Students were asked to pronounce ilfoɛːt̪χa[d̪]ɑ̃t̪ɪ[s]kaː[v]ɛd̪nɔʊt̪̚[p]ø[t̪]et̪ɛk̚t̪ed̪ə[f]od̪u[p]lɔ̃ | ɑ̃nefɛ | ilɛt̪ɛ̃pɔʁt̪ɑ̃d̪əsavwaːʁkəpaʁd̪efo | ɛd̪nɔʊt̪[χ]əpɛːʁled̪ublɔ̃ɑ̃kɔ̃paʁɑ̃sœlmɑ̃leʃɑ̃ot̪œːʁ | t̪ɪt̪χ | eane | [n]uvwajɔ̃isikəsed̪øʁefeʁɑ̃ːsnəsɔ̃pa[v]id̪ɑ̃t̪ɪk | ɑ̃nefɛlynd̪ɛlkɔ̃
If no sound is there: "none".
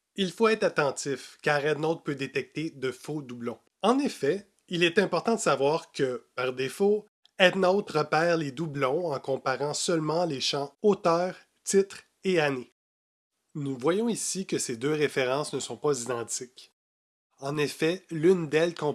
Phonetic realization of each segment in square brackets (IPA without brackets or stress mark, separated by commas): t̪, f, ʁ, p, d̪, f, b, ʁ, n, z